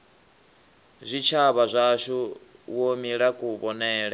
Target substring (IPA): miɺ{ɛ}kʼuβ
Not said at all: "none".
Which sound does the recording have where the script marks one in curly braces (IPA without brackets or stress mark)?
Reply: a